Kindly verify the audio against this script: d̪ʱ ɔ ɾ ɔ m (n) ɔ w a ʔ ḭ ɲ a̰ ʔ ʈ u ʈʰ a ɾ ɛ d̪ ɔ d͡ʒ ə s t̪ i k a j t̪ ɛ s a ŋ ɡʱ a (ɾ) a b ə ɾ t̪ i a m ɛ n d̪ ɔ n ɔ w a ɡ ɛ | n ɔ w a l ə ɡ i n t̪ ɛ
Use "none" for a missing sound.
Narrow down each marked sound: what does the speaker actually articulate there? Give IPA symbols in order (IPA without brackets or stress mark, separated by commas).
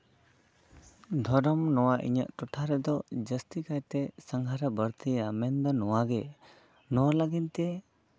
n, ɾ